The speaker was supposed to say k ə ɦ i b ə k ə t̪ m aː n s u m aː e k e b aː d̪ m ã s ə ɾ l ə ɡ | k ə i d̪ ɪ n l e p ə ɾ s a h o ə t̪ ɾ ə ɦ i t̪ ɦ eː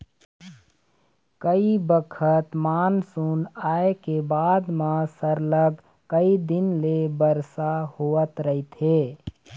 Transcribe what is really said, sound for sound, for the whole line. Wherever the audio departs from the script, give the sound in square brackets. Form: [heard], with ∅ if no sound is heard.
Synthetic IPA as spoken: k ə [∅] i b ə [kʰ] ə t̪ m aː n s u [n] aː e k e b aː d̪ m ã s ə ɾ l ə ɡ | k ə i d̪ ɪ n l e [b] ə ɾ s a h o ə t̪ ɾ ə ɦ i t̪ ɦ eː